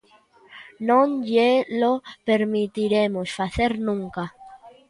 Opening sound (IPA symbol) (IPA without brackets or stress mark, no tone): n